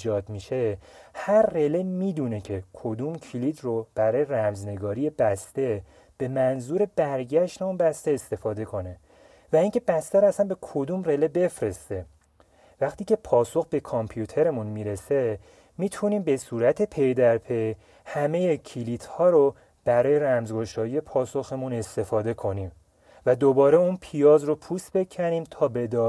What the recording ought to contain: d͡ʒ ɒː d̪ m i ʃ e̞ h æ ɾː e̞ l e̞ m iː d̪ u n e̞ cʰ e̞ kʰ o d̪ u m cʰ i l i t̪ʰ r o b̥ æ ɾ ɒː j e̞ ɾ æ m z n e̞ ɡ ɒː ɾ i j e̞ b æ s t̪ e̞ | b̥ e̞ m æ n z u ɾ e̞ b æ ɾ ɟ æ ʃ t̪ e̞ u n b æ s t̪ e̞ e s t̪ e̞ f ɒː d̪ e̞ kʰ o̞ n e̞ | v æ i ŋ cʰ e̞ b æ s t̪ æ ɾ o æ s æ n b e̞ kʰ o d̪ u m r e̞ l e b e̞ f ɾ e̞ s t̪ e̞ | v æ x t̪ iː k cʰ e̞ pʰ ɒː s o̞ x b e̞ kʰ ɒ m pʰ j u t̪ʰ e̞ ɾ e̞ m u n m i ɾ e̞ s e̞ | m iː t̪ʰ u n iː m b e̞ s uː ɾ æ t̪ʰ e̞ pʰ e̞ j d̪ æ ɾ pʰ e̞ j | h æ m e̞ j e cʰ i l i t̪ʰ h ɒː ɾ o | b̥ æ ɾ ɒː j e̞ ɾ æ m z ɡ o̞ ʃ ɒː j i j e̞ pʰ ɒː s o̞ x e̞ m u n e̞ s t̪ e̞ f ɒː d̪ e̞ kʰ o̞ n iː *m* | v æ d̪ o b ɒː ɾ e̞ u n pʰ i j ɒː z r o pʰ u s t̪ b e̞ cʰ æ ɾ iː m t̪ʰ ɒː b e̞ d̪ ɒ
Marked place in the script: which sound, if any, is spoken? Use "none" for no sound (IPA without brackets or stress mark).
m